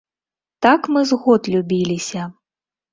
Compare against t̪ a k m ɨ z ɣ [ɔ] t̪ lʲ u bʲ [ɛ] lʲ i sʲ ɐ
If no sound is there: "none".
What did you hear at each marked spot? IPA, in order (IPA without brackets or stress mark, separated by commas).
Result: ɔ, i